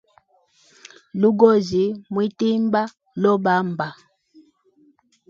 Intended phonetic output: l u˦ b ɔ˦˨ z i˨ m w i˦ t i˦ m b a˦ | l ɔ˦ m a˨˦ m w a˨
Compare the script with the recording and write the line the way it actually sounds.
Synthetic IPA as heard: l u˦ ɡ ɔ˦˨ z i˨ m w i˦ t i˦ m b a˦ | l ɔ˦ b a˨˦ m b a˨

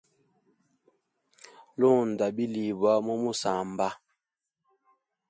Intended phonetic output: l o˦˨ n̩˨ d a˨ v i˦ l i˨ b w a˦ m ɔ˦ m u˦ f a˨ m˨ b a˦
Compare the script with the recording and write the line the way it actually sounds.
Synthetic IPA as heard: l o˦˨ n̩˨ d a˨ b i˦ l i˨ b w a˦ m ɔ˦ m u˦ s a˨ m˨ b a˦

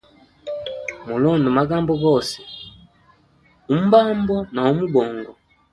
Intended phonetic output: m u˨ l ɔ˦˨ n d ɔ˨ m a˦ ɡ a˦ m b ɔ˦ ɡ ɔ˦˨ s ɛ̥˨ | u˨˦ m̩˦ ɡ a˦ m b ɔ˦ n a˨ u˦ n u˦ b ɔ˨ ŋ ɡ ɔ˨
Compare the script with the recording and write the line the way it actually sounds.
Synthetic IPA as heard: m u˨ l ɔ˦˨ n d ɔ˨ m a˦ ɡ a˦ m b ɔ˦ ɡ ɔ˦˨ s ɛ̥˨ | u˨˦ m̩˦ b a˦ m b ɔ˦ n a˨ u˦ m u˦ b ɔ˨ ŋ ɡ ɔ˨

